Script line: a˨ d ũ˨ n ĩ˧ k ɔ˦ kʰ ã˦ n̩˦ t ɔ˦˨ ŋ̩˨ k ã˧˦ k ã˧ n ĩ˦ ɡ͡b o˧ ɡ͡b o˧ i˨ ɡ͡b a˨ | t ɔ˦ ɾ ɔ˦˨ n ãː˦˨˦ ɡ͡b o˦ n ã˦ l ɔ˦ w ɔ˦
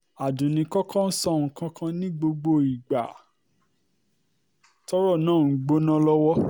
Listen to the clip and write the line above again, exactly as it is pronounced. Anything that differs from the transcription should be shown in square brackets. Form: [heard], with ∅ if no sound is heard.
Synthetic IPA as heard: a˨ d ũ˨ n ĩ˧ k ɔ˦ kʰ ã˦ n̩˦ [s] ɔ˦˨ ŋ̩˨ k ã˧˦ k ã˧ n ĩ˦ ɡ͡b o˧ ɡ͡b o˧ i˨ ɡ͡b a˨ | t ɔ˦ ɾ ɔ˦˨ n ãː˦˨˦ ɡ͡b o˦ n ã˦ l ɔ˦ w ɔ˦